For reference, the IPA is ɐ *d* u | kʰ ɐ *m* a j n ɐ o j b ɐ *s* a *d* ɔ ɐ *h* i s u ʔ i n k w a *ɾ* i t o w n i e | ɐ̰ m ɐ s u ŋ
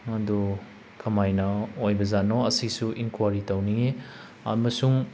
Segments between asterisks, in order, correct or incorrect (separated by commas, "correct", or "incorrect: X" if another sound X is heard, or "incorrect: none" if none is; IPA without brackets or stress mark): correct, correct, incorrect: z, incorrect: n, incorrect: s, correct